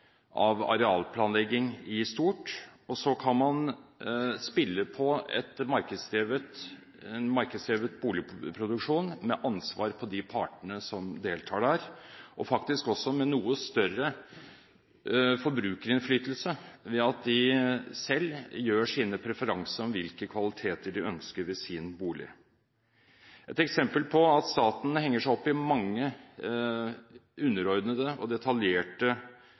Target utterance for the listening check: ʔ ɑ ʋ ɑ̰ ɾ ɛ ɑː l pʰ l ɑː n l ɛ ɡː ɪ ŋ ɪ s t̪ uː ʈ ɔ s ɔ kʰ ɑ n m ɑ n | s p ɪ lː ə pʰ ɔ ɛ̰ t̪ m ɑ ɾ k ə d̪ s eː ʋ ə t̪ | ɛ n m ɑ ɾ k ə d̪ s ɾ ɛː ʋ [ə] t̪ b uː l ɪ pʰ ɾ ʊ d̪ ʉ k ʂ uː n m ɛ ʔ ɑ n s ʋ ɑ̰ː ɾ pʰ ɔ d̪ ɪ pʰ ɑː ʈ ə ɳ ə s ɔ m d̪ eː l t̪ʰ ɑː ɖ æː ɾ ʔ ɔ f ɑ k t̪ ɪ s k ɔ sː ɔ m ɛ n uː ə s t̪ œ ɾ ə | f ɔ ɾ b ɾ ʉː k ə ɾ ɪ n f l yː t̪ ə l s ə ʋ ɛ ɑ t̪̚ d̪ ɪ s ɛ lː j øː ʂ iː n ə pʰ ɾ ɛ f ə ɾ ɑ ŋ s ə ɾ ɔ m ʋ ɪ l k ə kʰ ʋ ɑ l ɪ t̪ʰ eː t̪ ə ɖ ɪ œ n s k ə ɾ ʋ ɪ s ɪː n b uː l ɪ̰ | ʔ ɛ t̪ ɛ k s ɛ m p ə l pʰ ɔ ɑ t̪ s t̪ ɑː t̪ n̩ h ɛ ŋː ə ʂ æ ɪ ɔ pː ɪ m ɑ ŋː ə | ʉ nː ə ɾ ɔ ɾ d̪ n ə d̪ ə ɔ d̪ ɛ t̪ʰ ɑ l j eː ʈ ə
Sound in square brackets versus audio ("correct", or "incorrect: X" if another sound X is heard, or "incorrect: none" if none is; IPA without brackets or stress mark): correct